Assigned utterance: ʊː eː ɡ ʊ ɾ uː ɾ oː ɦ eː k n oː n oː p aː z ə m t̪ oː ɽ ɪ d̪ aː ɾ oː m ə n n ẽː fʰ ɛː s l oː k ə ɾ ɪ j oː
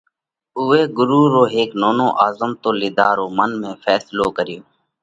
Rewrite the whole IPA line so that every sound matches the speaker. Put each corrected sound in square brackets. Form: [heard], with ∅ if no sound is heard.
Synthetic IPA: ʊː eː ɡ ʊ ɾ uː ɾ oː ɦ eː k n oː n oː [ʔ] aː z ə m t̪ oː [l] ɪ d̪ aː ɾ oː m ə n [m] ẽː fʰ ɛː s l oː k ə ɾ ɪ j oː

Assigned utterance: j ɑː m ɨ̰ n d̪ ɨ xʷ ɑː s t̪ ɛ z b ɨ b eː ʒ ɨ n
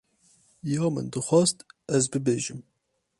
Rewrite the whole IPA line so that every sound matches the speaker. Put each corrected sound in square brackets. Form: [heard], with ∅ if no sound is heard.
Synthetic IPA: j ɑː m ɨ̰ n d̪ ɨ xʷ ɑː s t̪ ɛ z b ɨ b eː ʒ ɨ [m]

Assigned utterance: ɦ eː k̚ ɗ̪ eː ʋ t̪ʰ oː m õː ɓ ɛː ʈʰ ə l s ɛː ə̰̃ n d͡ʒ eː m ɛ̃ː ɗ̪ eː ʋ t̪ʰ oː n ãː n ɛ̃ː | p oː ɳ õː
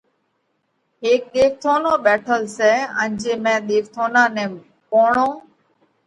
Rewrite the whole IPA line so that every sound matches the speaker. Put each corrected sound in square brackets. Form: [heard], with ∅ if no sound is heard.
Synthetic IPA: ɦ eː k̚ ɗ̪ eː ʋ t̪ʰ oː [n] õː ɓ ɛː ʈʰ ə l s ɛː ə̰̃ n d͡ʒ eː m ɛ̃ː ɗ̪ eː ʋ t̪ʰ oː n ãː n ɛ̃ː | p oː ɳ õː

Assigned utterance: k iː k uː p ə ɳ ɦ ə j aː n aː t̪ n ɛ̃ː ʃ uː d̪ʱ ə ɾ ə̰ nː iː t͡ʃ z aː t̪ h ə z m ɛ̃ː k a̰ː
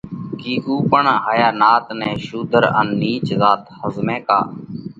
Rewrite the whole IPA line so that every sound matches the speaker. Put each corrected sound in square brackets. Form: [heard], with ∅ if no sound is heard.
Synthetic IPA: k iː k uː p ə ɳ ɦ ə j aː n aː t̪ n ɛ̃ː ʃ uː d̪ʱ ə ɾ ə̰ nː iː t͡ʃ z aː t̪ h ə z m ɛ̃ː k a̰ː

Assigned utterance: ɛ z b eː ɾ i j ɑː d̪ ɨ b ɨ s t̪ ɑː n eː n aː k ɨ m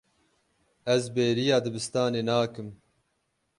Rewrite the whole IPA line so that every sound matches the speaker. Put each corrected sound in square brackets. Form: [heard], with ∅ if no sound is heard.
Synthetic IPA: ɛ z b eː ɾ i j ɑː d̪ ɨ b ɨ s t̪ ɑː n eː n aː k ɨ m

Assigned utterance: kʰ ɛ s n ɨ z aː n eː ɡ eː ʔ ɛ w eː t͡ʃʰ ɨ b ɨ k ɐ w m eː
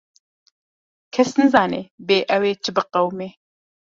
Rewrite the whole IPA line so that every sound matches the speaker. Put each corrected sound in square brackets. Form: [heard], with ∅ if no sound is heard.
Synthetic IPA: kʰ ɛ s n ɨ z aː n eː [b] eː ʔ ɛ w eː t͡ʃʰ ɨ b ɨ [q] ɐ w m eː

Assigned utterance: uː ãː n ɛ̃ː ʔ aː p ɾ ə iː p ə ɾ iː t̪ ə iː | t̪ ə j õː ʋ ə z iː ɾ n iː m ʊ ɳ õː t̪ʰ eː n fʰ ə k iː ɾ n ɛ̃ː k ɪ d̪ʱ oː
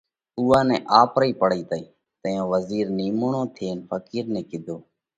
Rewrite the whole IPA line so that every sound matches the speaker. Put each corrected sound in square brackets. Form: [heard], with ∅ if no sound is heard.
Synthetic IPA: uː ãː n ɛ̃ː ʔ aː p ɾ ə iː p ə [ɽ] iː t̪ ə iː | t̪ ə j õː ʋ ə z iː ɾ n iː m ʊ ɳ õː t̪ʰ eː n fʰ ə k iː ɾ n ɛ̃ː k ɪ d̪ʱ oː

